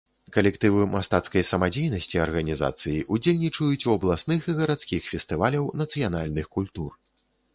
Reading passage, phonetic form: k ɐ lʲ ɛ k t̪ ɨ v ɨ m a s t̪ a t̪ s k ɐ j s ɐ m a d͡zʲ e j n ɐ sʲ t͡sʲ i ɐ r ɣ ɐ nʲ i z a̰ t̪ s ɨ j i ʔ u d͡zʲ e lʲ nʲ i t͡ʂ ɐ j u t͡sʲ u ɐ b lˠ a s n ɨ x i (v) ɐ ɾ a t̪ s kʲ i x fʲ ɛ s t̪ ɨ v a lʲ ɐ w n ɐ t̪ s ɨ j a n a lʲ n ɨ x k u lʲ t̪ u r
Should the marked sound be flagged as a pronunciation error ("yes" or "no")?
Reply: yes